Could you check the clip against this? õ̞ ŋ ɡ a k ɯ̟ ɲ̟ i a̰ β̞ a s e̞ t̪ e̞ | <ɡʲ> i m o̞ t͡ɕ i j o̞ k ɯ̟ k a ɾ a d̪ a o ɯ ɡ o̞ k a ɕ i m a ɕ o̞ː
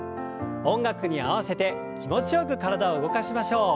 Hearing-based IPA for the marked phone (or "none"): kʲ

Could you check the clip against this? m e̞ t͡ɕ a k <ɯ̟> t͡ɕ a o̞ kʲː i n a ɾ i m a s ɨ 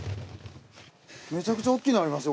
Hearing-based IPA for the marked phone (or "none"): ɯ̟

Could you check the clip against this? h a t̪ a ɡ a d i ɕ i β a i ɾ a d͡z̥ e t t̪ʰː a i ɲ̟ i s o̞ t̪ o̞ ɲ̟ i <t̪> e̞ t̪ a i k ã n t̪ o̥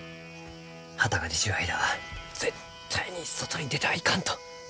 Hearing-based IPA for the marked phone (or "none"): d̪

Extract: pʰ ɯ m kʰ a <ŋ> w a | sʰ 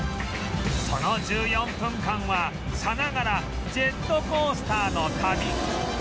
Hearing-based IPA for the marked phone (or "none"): ŋ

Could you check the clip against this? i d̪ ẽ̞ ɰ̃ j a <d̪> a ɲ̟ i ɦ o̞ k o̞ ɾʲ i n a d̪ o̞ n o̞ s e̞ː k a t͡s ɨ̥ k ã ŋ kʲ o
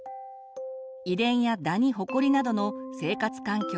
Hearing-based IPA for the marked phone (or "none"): d̪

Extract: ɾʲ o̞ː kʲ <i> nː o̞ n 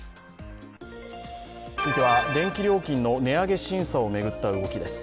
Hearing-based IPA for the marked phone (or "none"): ĩ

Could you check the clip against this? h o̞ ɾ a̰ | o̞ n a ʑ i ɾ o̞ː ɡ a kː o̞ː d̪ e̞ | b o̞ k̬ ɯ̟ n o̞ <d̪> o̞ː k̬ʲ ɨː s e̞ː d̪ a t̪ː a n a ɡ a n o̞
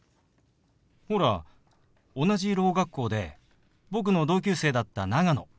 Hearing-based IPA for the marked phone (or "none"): d̪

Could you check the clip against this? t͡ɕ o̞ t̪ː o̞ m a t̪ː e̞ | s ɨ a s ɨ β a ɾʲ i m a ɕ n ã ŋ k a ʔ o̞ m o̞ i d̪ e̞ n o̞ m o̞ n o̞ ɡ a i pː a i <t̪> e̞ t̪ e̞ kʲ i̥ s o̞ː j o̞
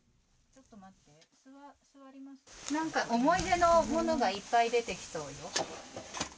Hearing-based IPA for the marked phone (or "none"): d̪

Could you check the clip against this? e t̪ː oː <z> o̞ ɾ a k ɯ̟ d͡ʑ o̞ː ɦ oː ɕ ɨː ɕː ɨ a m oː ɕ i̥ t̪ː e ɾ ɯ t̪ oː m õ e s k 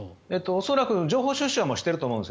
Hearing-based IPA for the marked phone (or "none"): s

